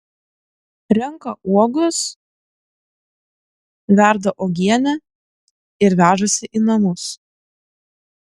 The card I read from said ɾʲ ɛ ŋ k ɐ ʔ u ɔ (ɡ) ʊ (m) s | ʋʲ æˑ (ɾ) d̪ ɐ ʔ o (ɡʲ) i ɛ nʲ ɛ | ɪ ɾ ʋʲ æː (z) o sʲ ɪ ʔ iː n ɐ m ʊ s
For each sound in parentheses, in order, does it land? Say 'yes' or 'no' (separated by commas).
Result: yes, no, yes, yes, no